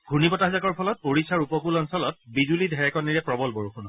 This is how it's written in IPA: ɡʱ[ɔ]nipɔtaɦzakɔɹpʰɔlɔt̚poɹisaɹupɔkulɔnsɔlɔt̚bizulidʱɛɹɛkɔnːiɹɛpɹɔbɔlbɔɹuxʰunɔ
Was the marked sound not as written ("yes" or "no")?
yes